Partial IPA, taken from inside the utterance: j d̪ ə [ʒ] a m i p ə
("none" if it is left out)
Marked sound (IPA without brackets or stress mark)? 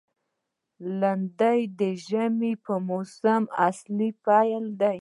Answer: ʒ